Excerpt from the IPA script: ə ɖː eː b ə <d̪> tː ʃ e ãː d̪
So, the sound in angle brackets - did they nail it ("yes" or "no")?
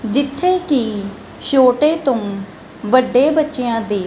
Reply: no